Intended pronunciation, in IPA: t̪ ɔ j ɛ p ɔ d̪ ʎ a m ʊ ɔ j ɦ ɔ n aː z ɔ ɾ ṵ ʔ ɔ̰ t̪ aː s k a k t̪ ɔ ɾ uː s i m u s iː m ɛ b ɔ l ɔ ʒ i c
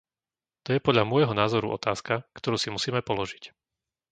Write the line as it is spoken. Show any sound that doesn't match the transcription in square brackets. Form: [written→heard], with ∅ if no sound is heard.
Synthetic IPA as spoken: t̪ ɔ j ɛ p ɔ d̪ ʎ a m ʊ ɔ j ɦ ɔ n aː z ɔ ɾ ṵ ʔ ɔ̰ t̪ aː s k a k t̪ ɔ ɾ uː s i m u s iː m ɛ [b→p] ɔ l ɔ ʒ i c